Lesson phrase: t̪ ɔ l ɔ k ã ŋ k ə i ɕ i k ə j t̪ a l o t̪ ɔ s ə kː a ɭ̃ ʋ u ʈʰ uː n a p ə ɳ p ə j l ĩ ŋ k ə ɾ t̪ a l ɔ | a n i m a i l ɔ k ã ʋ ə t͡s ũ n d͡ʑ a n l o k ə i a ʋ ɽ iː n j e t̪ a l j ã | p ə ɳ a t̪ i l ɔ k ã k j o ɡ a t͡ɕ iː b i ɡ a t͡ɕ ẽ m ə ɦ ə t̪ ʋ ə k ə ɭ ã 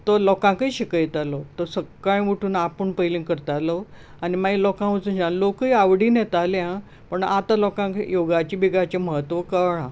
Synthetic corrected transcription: t̪ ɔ l ɔ k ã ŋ k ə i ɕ i k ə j t̪ a l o t̪ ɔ s ə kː a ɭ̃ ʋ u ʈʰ uː n a p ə ɳ p ə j l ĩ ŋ k ə ɾ t̪ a l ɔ | a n i m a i l ɔ k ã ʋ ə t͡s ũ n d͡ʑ a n l o k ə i a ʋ ɽ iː n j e t̪ a l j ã | p ə ɳ a t̪ a l ɔ k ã k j o ɡ a t͡ɕ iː b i ɡ a t͡ɕ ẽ m ə ɦ ə t̪ ʋ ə k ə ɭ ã